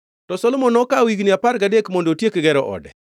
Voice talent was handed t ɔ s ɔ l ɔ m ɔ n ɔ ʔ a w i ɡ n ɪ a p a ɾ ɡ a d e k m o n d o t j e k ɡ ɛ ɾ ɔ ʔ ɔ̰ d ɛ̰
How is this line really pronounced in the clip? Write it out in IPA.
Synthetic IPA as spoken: t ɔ s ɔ l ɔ m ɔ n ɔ k a w i ɡ n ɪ a p a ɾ ɡ a d e k m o n d o t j e k ɡ ɛ ɾ ɔ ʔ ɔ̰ d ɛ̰